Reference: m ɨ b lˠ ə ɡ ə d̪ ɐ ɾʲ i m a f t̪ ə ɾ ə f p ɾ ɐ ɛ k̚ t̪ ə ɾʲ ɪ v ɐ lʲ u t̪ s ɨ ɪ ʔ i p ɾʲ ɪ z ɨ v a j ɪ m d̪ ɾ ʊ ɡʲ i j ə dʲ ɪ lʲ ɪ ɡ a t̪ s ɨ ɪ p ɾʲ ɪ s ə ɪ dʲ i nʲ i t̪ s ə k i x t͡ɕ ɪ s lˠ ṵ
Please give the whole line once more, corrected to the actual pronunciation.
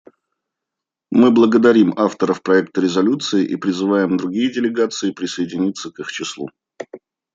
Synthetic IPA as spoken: m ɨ b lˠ ə ɡ ə d̪ ɐ ɾʲ i m a f t̪ ə ɾ ə f p ɾ ɐ ɛ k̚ t̪ ə ɾʲ ɪ z ɐ lʲ u t̪ s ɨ ɪ ʔ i p ɾʲ ɪ z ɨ v a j ɪ m d̪ ɾ ʊ ɡʲ i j ə dʲ ɪ lʲ ɪ ɡ a t̪ s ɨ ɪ p ɾʲ ɪ s ə ɪ dʲ ɪ nʲ i t̪ s ə k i x t͡ɕ ɪ s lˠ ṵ

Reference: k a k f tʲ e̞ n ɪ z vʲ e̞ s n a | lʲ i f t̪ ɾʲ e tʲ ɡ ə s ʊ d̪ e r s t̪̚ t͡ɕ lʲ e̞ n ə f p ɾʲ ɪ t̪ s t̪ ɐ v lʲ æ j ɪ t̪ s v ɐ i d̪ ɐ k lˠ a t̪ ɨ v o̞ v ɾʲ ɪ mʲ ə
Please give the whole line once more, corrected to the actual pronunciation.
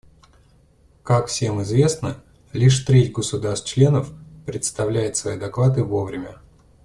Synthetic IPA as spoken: k a k f sʲ e̞ m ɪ z vʲ e̞ s n ə | lʲ i ʂ t̪ ɾʲ e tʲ ɡ ə s ʊ d̪ a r s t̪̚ t͡ɕ lʲ e̞ n ə f p ɾʲ ɪ t̪ s t̪ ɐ v lʲ æ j ɪ t̪ s v ɐ i d̪ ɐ k lˠ a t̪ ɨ v o̞ v ɾʲ ɪ mʲ ə

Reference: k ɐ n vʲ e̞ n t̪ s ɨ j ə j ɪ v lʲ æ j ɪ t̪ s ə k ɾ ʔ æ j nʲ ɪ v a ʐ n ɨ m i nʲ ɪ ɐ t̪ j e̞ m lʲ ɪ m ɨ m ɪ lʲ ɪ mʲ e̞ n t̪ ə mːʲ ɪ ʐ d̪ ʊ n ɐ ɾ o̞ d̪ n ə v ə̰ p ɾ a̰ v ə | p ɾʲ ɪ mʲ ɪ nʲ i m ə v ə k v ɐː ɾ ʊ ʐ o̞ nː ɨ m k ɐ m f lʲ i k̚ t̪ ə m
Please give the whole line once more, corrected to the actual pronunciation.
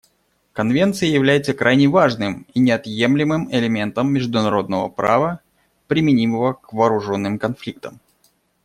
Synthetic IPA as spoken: k ɐ n vʲ e̞ n t̪ s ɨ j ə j ɪ v lʲ æ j ɪ t̪ s ə k ɾ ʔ a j nʲ ɪ v a ʐ n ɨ m i nʲ ɪ ɐ t̪ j e̞ m lʲ ɪ m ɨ m ɪ lʲ ɪ mʲ e̞ n t̪ ə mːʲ ɪ ʐ d̪ ʊ n ɐ ɾ o̞ d̪ n ə v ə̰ p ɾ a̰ v ə | p ɾʲ ɪ mʲ ɪ nʲ i m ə v ə k v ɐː ɾ ʊ ʐ o̞ nː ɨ m k ɐ n f lʲ i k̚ t̪ ə m

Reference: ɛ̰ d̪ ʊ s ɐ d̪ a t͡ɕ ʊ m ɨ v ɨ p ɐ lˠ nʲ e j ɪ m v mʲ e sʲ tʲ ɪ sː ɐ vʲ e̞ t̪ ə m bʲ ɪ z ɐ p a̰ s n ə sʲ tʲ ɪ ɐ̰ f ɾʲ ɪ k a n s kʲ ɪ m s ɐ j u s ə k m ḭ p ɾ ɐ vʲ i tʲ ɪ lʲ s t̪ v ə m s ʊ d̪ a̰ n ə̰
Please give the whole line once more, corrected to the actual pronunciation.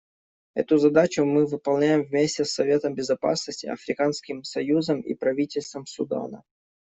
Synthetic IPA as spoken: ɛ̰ t̪ ʊ z ɐ d̪ a t͡ɕ ʊ m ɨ v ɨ p ɐ lˠ nʲ æ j ɪ m v mʲ e sʲ tʲ ɪ sː ɐ vʲ e̞ t̪ ə m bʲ ɪ z ɐ p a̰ s n ə sʲ tʲ ɪ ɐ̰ f ɾʲ ɪ k a n s kʲ ɪ m s ɐ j u z ə m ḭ p ɾ ɐ vʲ i tʲ ɪ lʲ s t̪ v ə m s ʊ d̪ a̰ n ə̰

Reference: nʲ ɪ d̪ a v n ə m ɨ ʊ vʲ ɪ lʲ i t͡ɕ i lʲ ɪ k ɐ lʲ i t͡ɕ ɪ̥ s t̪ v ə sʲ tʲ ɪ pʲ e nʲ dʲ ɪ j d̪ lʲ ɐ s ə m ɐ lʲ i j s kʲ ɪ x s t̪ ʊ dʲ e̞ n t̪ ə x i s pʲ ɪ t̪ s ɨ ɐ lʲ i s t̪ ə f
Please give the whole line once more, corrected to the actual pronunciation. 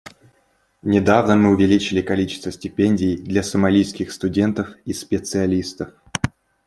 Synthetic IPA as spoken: nʲ ɪ d̪ a v n ə m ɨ ʊ vʲ ɪ lʲ i t͡ɕ ɪ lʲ ɪ k ɐ lʲ i t͡ɕ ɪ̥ s t̪ v ə sʲ tʲ ɪ pʲ e nʲ dʲ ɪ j d̪ lʲ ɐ s ə m ɐ lʲ i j s kʲ ɪ x s t̪ ʊ dʲ e̞ n t̪ ə f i s pʲ ɪ t̪ s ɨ ɐ lʲ i s t̪ ə f

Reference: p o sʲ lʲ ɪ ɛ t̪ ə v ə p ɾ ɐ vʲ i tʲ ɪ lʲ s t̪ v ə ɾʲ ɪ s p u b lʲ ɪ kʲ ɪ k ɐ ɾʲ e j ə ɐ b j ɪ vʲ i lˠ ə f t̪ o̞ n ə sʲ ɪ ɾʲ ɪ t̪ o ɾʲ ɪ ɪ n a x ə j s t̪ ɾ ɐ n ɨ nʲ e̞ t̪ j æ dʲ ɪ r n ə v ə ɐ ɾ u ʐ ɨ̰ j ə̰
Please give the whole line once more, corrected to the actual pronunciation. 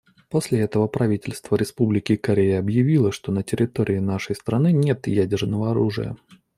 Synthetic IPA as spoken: p o sʲ lʲ ɪ ɛ t̪ ə v ə p ɾ ɐ vʲ i tʲ ɪ lʲ s t̪ v ə ɾʲ ɪ s p u b lʲ ɪ kʲ ɪ k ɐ ɾʲ e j ə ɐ b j ɪ vʲ i lˠ ə ʂ t̪ o̞ n ə tʲ ɪ ɾʲ ɪ t̪ o ɾʲ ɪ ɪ n a ʂ ə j s t̪ ɾ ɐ n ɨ nʲ e̞ t̪ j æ dʲ ɪ r n ə v ə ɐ ɾ u ʐ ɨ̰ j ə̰

